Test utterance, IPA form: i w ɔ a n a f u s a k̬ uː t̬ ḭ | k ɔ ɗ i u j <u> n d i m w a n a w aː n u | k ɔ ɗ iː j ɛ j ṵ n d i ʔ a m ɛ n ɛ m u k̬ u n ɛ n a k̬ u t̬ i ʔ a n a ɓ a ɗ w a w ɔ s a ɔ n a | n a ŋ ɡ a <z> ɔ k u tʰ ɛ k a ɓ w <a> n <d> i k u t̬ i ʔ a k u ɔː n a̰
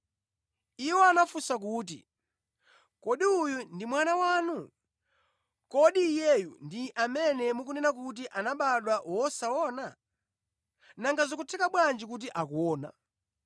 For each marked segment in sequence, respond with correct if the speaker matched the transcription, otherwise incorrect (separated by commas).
correct, correct, correct, incorrect